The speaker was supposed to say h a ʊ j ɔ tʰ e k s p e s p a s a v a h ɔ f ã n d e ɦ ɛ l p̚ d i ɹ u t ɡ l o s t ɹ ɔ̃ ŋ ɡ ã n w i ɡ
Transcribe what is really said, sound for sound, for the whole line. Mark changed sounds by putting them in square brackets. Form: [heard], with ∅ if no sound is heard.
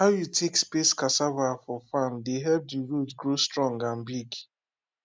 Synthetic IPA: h a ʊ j [u] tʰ e k s p e s [k] a s a v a [f] ɔ f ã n d e ɦ ɛ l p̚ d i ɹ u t ɡ [ɹ] o s t ɹ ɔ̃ ŋ ɡ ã n [b] i ɡ